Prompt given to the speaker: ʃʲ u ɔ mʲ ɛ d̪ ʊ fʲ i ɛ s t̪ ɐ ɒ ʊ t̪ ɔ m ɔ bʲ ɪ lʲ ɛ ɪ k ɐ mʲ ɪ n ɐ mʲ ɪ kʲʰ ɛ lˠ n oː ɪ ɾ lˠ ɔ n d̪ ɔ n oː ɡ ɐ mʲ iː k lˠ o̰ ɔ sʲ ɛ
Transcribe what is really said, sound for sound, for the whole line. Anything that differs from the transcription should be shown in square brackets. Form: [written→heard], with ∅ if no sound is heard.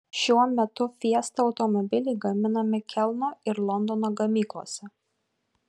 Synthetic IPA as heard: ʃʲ u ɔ mʲ ɛ [d̪→t̪] ʊ fʲ i ɛ s t̪ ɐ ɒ ʊ t̪ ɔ m ɔ bʲ ɪ lʲ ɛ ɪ [k→ɡ] ɐ mʲ ɪ n ɐ mʲ ɪ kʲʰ ɛ lˠ n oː ɪ ɾ lˠ ɔ n d̪ ɔ n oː ɡ ɐ mʲ iː k lˠ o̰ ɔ sʲ ɛ